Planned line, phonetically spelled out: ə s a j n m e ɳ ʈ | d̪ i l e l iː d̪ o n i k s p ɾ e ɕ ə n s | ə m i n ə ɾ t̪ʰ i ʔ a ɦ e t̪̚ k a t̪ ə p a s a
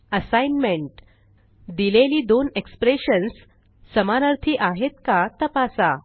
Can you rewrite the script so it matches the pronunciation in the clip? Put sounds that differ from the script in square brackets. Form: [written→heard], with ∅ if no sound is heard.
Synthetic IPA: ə s a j n m e ɳ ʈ | d̪ i l e l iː d̪ o n [i→e] k s p ɾ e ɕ ə n [s→sː] | ə m [i→a] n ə ɾ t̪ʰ i ʔ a ɦ e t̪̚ k a t̪ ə p a s a